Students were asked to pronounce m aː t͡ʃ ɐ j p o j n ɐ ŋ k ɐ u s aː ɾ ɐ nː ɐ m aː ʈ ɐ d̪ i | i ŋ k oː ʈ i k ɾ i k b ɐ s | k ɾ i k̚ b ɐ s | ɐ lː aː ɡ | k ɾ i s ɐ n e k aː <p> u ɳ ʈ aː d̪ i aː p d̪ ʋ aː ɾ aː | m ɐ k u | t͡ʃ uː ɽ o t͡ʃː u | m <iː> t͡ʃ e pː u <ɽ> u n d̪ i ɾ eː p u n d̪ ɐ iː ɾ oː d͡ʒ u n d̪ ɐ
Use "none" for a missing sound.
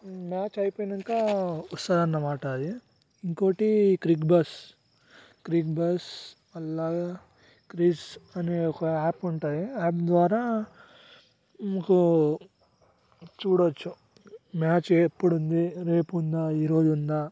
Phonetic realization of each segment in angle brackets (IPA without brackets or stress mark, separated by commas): p, aː, ɽ